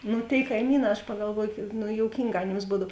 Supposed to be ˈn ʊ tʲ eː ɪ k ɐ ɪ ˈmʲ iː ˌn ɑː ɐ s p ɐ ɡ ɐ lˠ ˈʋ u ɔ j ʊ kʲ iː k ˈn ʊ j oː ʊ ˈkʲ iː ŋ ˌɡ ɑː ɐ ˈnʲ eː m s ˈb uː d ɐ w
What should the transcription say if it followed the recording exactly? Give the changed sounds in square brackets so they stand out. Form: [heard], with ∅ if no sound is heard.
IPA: ˈn ʊ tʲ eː ɪ k ɐ ɪ ˈmʲ iː ˌn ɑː ɐ [ʃ] p ɐ ɡ ɐ lˠ ˈʋ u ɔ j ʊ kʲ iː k ˈn ʊ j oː ʊ ˈkʲ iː ŋ ˌɡ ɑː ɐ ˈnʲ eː m s ˈb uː d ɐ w